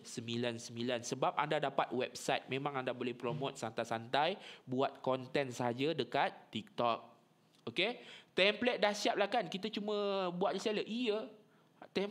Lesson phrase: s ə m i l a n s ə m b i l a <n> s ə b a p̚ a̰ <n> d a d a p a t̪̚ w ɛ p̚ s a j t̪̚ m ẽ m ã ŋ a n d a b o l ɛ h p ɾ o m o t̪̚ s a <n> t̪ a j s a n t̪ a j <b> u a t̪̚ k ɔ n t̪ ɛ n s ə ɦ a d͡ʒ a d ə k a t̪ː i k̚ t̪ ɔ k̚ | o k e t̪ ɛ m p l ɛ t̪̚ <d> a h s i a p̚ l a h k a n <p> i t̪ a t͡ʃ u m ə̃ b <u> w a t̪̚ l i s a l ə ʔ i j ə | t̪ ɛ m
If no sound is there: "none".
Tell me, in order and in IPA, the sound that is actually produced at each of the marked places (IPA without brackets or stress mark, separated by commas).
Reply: n, n, n, b, d, k, u